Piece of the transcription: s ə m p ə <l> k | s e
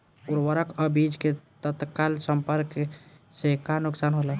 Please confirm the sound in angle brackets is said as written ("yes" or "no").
no